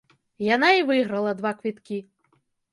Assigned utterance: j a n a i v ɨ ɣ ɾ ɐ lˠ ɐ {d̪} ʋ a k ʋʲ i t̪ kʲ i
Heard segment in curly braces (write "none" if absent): d̪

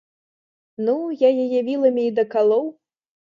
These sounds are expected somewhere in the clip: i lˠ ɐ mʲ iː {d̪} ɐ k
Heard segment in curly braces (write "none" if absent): d̪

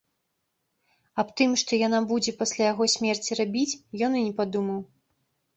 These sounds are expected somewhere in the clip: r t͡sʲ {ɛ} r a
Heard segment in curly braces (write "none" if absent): i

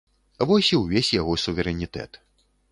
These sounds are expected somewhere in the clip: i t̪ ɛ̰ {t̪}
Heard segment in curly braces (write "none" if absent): t̪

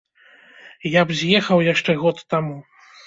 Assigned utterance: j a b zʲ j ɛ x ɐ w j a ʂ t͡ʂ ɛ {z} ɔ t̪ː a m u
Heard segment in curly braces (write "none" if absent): ɣ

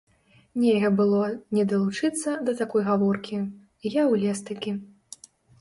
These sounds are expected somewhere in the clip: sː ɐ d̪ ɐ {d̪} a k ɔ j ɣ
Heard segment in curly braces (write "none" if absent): t̪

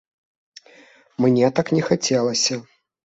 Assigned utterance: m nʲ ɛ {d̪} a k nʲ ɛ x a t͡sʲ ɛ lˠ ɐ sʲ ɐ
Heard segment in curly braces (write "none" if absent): t̪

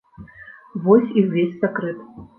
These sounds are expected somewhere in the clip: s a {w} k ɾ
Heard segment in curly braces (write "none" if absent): none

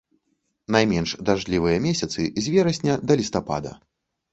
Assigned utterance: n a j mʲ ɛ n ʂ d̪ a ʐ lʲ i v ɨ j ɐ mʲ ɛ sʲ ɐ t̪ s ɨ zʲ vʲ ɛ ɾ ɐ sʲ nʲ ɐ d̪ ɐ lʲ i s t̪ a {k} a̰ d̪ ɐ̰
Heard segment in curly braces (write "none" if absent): p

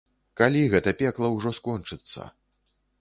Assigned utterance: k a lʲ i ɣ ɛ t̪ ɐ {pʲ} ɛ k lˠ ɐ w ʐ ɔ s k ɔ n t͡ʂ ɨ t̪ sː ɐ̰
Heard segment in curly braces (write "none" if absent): pʲ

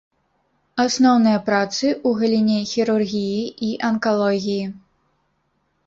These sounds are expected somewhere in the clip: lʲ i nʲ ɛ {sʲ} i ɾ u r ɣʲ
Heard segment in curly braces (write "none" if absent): xʲ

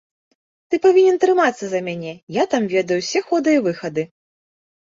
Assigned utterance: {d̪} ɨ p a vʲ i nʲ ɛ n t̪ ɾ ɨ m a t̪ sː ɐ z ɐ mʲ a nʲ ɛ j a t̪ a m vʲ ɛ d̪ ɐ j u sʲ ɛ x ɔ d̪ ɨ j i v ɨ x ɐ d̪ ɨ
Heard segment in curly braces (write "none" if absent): t̪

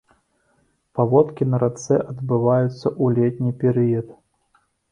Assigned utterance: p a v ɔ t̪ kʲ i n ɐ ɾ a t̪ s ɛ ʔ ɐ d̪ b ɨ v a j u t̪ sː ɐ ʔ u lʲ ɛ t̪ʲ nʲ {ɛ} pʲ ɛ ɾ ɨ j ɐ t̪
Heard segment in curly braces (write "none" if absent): i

